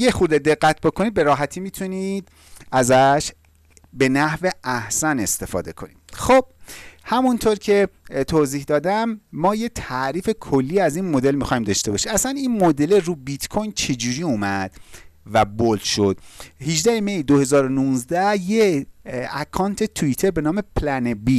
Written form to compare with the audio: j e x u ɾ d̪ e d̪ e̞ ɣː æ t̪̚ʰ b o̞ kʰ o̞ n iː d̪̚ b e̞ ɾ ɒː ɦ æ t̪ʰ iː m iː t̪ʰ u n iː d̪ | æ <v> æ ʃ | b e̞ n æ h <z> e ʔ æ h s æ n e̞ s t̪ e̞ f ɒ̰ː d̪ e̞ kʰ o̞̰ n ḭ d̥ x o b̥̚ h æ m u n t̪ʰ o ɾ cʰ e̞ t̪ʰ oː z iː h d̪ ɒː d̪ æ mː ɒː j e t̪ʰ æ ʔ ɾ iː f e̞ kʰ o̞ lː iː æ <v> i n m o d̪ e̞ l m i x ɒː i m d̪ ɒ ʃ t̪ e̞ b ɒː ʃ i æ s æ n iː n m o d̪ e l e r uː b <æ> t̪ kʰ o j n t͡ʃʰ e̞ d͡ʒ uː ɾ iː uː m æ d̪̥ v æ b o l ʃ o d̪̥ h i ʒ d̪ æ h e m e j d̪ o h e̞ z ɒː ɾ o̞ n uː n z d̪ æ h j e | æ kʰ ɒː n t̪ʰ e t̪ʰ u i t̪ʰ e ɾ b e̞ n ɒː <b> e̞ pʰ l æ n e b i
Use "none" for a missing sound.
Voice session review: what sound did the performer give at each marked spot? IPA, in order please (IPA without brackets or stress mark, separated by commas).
z, v, z, i, m